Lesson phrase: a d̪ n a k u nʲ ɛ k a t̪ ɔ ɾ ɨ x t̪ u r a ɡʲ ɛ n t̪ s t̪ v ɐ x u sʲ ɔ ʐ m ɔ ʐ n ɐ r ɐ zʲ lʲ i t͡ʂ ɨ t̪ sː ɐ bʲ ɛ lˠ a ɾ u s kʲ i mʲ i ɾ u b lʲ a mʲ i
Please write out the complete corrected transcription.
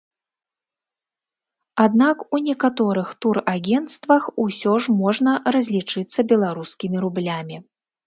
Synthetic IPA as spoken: a d̪ n a k u nʲ ɛ k a t̪ ɔ ɾ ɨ x t̪ u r a ɡʲ ɛ n t̪ s t̪ v ɐ x u sʲ ɔ ʐ m ɔ ʐ n ɐ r ɐ zʲ lʲ i t͡ʂ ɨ t̪ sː ɐ bʲ ɛ lˠ a ɾ u s kʲ i mʲ i ɾ u b lʲ a mʲ i